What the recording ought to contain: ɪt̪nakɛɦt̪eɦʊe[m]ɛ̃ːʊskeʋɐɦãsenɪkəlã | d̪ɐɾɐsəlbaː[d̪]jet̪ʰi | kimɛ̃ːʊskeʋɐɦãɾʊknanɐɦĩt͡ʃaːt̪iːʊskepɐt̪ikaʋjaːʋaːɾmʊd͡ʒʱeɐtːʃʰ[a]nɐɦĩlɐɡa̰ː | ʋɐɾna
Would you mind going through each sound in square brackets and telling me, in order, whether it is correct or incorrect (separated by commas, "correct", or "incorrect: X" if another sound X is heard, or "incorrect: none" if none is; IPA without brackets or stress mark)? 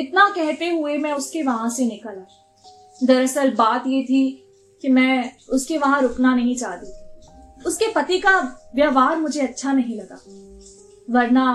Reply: correct, incorrect: t̪, correct